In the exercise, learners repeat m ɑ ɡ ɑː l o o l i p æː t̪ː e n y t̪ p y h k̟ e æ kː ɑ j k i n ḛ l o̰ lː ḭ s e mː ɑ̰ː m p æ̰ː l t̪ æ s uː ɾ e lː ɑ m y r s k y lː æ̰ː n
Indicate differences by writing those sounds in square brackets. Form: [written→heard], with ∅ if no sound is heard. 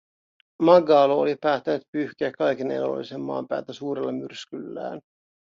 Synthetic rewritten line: m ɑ ɡ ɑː l o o l i p æː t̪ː [e→æ] n y t̪ p y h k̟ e æ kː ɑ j k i n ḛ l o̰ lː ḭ s e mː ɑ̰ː m p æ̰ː l t̪ æ s uː ɾ e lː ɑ m y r s k y lː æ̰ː n